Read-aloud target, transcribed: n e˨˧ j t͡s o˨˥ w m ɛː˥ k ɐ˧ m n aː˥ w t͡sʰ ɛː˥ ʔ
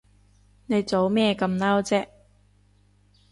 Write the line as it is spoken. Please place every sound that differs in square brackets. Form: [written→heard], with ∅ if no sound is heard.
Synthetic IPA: n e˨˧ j t͡s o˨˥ w m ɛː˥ k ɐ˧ m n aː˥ w [t͡sʰ→t͡s] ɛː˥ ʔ